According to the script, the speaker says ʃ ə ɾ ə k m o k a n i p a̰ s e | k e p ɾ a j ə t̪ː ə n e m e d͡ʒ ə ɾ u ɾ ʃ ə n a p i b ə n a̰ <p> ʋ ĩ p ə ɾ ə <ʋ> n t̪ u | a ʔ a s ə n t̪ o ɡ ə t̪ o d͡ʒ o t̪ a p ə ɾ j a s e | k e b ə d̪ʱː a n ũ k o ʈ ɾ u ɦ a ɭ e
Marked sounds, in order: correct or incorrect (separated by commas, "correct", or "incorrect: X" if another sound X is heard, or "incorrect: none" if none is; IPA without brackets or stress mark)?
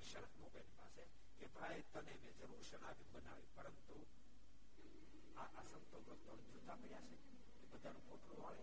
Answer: incorrect: none, incorrect: none